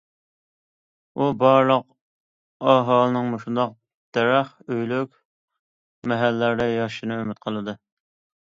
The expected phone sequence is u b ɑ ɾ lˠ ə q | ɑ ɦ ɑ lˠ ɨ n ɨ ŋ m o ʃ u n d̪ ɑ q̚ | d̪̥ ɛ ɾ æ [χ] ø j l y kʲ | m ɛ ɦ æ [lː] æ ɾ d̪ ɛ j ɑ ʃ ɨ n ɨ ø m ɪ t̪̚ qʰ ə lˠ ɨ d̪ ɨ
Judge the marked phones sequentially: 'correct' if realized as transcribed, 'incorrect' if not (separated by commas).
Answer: correct, correct